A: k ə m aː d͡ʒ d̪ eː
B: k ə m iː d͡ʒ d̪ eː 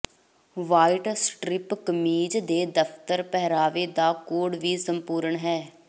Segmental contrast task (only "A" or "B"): B